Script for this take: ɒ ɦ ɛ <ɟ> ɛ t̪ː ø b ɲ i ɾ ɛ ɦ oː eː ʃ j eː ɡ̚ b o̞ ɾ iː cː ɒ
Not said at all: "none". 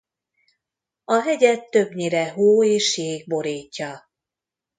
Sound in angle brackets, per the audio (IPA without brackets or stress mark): ɟ